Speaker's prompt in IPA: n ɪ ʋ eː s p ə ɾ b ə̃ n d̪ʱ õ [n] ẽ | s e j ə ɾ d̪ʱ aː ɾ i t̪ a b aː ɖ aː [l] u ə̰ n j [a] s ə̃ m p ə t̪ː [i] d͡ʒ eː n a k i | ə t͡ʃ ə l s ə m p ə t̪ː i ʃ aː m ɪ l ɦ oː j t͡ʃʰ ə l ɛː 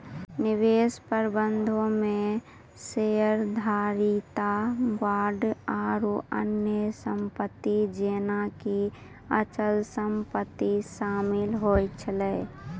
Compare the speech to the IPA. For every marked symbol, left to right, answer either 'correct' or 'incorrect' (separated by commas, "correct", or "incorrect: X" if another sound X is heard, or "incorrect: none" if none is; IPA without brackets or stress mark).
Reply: incorrect: m, incorrect: ɾ, incorrect: ə, correct